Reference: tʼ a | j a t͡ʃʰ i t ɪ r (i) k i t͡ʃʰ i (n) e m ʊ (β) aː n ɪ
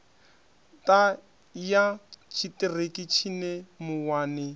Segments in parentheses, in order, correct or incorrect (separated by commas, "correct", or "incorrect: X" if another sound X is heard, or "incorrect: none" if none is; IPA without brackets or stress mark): incorrect: e, correct, incorrect: w